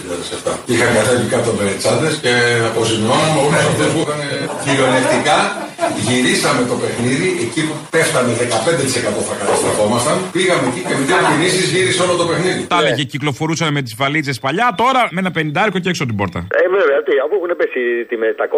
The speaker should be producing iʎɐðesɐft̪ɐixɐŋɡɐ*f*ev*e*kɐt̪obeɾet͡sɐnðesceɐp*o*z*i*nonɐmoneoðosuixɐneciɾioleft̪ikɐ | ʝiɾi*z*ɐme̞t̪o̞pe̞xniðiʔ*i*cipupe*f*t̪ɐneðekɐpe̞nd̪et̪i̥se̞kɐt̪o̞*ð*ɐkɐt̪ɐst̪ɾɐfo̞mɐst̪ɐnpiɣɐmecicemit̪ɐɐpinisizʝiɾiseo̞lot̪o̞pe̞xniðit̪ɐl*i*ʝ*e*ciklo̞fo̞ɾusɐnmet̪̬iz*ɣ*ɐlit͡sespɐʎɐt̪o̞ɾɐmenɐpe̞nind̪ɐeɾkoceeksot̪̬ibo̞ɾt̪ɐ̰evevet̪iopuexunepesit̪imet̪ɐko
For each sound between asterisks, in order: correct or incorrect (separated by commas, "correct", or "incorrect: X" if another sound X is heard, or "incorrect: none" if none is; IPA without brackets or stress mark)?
incorrect: θ, incorrect: i, correct, correct, incorrect: s, incorrect: e, correct, incorrect: θ, incorrect: e, correct, incorrect: v